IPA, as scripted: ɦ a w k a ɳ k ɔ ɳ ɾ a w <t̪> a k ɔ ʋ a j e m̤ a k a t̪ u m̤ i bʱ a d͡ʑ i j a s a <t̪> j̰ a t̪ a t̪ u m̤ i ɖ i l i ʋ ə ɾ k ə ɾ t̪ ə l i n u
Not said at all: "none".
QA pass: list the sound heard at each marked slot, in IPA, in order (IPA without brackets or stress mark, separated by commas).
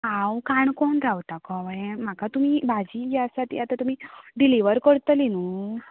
t̪, t̪